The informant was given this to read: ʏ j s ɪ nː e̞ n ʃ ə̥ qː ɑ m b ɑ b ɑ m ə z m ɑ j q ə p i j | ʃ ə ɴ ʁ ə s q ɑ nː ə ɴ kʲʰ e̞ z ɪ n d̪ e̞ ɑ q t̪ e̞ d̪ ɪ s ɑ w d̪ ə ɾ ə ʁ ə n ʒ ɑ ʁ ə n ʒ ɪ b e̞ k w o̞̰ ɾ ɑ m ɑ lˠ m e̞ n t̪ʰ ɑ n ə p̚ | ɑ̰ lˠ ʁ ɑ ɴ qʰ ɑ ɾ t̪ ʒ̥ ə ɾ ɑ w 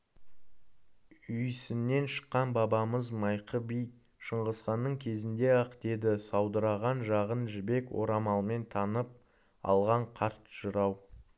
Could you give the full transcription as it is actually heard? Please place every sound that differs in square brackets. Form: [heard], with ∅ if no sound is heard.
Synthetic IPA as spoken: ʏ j s ɪ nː e̞ n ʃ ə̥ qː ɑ [n] b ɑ b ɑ m ə z m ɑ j q ə [b] i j | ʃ ə ɴ ʁ ə s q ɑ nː ə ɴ kʲʰ e̞ z ɪ n d̪ e̞ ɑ q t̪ e̞ d̪ ɪ s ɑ w d̪ ə ɾ [ɑ] ʁ [ɑ] n ʒ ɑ ʁ ə n ʒ ɪ b e̞ k w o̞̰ ɾ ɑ m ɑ lˠ m e̞ n t̪ʰ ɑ n ə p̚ | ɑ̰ lˠ ʁ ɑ ɴ qʰ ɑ ɾ t̪ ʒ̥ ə ɾ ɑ w

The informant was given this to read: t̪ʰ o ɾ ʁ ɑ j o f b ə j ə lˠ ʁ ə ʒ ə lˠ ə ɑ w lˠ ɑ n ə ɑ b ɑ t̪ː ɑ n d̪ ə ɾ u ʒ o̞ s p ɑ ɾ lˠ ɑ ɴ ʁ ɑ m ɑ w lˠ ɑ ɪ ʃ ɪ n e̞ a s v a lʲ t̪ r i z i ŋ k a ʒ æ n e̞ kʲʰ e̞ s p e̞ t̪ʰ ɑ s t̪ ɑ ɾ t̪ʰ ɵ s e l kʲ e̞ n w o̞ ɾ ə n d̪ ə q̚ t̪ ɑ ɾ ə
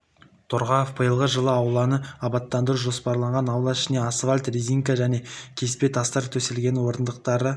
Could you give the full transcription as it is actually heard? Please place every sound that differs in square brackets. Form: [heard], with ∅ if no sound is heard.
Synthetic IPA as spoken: t̪ʰ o ɾ ʁ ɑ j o f b ə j ə lˠ ʁ ə ʒ ə lˠ ə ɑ w lˠ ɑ n ə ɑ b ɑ t̪ː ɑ n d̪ ə ɾ u ʒ o̞ s p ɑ ɾ lˠ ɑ ɴ ʁ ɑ [n] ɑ w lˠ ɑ ɪ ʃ ɪ n e̞ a s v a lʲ t̪ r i z i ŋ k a ʒ æ n e̞ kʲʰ e̞ s p e̞ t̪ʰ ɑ s t̪ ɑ ɾ t̪ʰ ɵ s e l [ɡʲ] e̞ n w o̞ ɾ ə n d̪ ə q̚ t̪ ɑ ɾ ə

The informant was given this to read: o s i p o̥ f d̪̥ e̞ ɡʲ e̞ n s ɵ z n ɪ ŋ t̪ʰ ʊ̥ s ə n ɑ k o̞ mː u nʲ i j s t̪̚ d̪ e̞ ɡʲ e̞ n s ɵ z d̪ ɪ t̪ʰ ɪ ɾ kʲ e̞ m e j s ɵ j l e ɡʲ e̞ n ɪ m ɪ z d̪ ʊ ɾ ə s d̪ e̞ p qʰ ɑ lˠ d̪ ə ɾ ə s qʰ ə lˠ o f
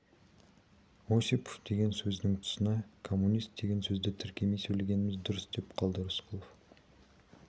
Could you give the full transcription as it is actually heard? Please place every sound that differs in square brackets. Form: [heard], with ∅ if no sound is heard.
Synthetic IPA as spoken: o s i p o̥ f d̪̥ e̞ ɡʲ e̞ n s ɵ z n ɪ ŋ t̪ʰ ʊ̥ s ə n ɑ [kʰ] o̞ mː u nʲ i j s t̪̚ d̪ e̞ ɡʲ e̞ n s ɵ z d̪ ɪ t̪ʰ ɪ ɾ kʲ e̞ m e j s ɵ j l e ɡʲ e̞ n ɪ m ɪ z d̪ ʊ ɾ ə s d̪ e̞ p qʰ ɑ lˠ d̪ ə ɾ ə s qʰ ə lˠ o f

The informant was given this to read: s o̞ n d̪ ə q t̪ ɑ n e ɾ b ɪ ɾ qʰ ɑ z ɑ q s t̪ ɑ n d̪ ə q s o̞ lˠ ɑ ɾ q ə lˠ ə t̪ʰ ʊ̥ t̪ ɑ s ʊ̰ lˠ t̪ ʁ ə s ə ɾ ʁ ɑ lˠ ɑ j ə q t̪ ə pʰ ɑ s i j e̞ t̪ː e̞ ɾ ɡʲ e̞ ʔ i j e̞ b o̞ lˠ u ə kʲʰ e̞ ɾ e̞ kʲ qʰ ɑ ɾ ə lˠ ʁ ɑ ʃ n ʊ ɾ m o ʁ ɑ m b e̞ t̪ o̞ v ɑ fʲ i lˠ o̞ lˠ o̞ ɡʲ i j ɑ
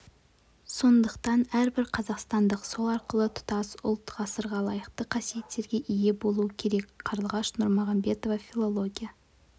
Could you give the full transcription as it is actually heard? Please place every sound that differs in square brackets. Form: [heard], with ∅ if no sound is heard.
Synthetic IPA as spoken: s o̞ n d̪ ə q t̪ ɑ n [æ] ɾ b ɪ ɾ qʰ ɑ z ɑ q s t̪ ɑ n d̪ ə q s o̞ lˠ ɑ ɾ q ə lˠ ə t̪ʰ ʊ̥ t̪ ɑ s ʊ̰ lˠ t̪ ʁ [ɑ] s ə ɾ ʁ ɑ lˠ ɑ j ə q t̪ ə [qʰ] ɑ s i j e̞ t̪ː e̞ ɾ ɡʲ e̞ ʔ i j e̞ b o̞ lˠ u ə kʲʰ e̞ ɾ e̞ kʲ qʰ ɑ ɾ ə lˠ ʁ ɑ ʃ n ʊ ɾ m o ʁ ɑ m b e̞ t̪ o̞ v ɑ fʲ i lˠ o̞ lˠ o̞ ɡʲ i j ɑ

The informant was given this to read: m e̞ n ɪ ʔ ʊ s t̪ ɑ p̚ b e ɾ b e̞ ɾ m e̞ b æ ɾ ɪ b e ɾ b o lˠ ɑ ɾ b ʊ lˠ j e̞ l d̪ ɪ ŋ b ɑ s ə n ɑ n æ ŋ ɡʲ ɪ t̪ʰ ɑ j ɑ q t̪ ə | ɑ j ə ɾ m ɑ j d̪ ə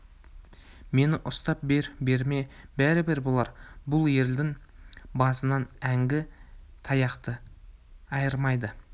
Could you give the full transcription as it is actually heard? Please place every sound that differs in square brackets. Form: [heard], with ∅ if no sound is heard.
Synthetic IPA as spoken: m e̞ n ɪ ʔ ʊ s t̪ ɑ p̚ b e ɾ b e̞ ɾ m e̞ b æ ɾ ɪ b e ɾ b o lˠ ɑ ɾ b ʊ lˠ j e̞ l d̪ ɪ ŋ b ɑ s ə n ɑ n æ ŋ ɡʲ ɪ t̪ʰ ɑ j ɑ q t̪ ə | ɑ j ə ɾ m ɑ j d̪ ə

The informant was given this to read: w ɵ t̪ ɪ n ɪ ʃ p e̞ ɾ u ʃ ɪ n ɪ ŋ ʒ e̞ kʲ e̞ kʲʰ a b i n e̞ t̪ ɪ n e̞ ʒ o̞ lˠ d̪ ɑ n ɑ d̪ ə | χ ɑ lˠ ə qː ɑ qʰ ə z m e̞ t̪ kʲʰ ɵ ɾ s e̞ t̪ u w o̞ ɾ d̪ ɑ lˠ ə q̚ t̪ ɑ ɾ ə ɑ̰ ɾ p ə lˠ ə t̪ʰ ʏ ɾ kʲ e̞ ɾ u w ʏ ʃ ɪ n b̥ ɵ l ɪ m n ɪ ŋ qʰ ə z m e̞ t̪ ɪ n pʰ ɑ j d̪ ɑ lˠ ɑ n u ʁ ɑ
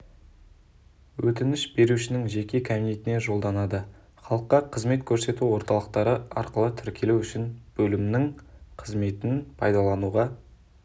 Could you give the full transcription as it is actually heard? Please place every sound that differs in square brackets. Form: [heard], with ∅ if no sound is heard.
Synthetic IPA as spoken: w ɵ t̪ ɪ n ɪ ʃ [b] e̞ ɾ u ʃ ɪ n ɪ ŋ ʒ e̞ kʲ e̞ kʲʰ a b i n e̞ t̪ ɪ n e̞ ʒ o̞ lˠ d̪ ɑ n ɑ d̪ ə | χ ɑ lˠ ə qː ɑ qʰ ə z m e̞ t̪ kʲʰ ɵ ɾ s e̞ t̪ u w o̞ ɾ [t̪] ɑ lˠ ə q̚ t̪ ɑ ɾ ə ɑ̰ ɾ [q] ə lˠ ə t̪ʰ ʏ ɾ kʲ e̞ [l] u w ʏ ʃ ɪ n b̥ ɵ l ɪ m n ɪ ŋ qʰ ə z m e̞ t̪ ɪ n pʰ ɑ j d̪ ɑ lˠ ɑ n u ʁ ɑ

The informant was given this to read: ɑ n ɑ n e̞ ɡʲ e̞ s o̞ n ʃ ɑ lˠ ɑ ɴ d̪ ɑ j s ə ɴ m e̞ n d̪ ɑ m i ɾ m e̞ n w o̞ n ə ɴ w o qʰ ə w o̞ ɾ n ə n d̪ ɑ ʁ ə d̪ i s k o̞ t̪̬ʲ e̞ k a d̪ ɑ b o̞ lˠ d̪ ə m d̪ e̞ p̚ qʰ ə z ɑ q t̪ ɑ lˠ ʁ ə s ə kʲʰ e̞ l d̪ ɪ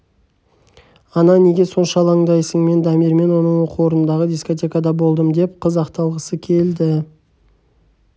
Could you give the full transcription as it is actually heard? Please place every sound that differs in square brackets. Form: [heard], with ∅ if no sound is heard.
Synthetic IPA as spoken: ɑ n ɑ n e̞ ɡʲ e̞ s o̞ n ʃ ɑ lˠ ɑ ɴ d̪ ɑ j s ə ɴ m e̞ n d̪ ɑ m i ɾ m e̞ n w o̞ n ə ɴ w o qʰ ə w o̞ ɾ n ə n d̪ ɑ ʁ ə d̪ i s k o̞ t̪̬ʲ e̞ k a d̪ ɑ b o̞ lˠ d̪ ə m d̪ e̞ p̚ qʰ ə z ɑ q t̪ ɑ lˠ ʁ ə s ə kʲʰ e̞ l d̪ ɪ

